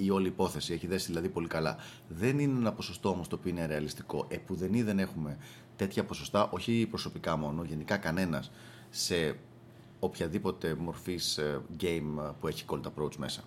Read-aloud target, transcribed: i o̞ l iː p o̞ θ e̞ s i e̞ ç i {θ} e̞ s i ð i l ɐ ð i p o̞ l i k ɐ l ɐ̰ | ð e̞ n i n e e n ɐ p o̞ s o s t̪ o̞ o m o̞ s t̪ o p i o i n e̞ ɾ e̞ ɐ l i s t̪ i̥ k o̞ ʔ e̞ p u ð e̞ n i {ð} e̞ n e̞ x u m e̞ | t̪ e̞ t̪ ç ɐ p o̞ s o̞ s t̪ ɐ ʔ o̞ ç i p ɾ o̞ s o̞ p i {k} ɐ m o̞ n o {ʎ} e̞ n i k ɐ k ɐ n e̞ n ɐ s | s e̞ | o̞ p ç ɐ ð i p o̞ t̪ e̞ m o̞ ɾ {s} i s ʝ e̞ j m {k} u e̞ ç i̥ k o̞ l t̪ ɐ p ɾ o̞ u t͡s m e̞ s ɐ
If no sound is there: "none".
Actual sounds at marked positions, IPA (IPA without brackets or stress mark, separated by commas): ð, ð, k, ʝ, f, p